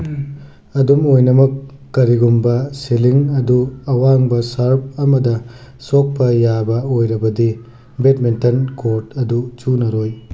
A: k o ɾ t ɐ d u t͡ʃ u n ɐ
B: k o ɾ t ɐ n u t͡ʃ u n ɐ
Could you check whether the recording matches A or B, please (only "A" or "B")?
A